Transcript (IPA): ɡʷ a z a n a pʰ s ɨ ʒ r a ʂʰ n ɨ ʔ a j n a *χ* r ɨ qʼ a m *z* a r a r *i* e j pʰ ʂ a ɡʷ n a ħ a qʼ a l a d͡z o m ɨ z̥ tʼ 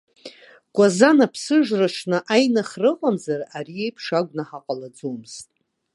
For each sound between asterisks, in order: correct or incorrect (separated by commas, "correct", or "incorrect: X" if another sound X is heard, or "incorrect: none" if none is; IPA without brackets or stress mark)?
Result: correct, correct, correct